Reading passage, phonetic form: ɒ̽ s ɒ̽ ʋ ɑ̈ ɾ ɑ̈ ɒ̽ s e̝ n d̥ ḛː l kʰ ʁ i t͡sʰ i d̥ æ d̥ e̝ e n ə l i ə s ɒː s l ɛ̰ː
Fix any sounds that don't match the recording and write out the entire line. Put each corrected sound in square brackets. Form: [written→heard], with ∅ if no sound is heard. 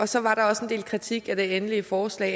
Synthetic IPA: ɒ̽ s ɒ̽ ʋ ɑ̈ ɾ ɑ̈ ɒ̽ s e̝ n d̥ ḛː l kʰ ʁ i t͡sʰ i [d̥→ɡ̥] æ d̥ e̝ e n ə l i ə [s→f] ɒː s l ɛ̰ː